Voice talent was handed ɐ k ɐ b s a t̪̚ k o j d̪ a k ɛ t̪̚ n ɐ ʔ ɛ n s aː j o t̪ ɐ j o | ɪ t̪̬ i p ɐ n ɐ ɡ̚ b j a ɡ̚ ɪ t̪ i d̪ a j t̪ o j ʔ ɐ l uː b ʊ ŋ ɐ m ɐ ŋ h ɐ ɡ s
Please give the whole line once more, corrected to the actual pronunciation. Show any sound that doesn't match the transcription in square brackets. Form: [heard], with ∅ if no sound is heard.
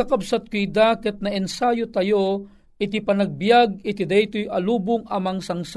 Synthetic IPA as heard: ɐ k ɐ b s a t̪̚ k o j d̪ a k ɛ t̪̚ n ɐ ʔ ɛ n s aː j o t̪ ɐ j o | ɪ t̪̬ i p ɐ n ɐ ɡ̚ b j a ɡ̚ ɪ t̪ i d̪ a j t̪ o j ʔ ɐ l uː b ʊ ŋ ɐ m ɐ ŋ [s] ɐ [ŋ] s